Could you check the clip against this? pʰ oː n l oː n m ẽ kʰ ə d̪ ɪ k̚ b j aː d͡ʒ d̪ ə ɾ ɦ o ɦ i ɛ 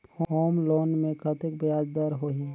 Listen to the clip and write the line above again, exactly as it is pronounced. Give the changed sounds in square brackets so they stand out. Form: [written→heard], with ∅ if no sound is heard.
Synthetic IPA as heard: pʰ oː [n→m] l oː n m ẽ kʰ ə [d̪→t̪] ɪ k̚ b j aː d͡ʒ d̪ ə ɾ ɦ o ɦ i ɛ